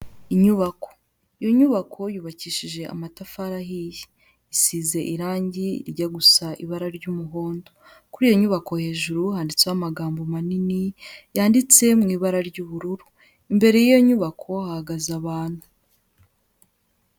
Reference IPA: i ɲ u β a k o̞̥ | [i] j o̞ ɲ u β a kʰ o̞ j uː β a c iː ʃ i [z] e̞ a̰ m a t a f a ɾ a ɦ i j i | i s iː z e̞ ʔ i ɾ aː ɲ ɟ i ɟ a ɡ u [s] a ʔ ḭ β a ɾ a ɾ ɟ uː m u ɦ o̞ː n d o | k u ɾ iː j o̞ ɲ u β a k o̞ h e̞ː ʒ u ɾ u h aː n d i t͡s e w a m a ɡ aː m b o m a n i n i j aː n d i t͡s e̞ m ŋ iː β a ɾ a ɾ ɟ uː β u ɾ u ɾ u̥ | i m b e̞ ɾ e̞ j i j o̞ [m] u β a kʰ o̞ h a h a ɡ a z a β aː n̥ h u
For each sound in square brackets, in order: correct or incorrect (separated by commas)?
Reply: correct, incorrect, correct, incorrect